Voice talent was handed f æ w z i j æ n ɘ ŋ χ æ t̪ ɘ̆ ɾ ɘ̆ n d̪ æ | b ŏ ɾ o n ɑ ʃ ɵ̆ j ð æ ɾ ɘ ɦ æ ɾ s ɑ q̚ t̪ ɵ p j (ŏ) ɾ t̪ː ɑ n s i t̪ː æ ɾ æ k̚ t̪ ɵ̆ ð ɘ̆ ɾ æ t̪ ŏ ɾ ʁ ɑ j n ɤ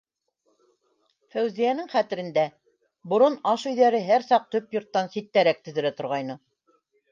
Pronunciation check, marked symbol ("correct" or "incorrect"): correct